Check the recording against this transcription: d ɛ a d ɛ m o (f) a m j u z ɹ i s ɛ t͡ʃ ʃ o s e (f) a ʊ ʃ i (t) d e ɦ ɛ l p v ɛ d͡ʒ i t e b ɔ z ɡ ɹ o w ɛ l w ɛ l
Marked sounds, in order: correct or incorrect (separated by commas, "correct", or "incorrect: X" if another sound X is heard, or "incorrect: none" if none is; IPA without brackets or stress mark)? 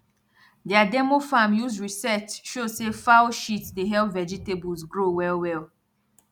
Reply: correct, correct, correct